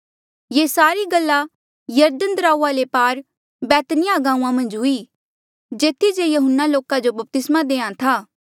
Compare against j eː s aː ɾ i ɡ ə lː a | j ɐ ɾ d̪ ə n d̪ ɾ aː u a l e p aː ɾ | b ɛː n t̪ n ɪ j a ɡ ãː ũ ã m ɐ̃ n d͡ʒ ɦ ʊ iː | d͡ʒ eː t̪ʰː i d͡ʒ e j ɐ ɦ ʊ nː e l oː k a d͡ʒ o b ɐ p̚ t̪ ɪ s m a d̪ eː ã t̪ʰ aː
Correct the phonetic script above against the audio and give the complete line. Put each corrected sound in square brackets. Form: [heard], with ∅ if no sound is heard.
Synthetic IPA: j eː s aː ɾ i ɡ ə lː a | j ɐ ɾ d̪ ə n d̪ ɾ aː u a l e p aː ɾ | b ɛː [∅] t̪ n ɪ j a ɡ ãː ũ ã m ɐ̃ n d͡ʒ ɦ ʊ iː | d͡ʒ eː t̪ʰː i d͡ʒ e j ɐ ɦ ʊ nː [a] l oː k a d͡ʒ o b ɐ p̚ t̪ ɪ s m a d̪ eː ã t̪ʰ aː